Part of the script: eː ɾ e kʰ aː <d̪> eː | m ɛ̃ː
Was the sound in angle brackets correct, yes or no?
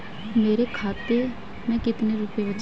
no